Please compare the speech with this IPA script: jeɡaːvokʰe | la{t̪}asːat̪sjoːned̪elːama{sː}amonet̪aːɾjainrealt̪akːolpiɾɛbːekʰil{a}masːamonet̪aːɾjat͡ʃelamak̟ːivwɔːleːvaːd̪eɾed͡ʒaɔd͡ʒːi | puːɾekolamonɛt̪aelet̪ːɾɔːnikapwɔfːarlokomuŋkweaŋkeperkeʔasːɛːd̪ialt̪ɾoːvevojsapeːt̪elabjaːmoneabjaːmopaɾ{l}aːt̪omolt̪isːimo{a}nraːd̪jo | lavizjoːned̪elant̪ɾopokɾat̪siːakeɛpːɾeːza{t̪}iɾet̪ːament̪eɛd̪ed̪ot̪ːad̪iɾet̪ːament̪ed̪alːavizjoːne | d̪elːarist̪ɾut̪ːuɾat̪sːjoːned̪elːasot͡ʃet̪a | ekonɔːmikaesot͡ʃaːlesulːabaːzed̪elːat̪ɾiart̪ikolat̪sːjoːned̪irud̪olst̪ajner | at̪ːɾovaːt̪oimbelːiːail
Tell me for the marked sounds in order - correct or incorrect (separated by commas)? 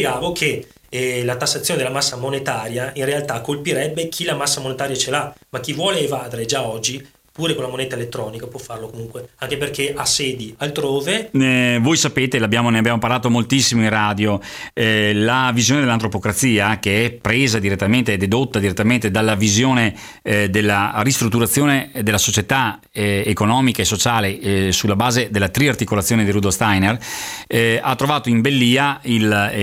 correct, correct, correct, correct, incorrect, incorrect